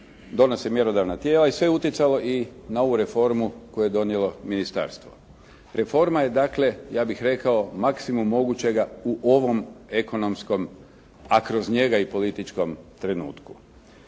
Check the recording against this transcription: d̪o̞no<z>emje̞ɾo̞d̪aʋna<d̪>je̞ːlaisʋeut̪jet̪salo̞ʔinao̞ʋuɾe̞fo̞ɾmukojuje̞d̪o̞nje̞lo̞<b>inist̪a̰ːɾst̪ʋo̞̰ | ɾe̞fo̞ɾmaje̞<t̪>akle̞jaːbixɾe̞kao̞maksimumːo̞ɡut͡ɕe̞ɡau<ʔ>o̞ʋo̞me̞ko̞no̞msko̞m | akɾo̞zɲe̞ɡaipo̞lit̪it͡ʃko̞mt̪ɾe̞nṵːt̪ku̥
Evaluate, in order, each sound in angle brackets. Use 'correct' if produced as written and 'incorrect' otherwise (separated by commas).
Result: incorrect, incorrect, incorrect, incorrect, correct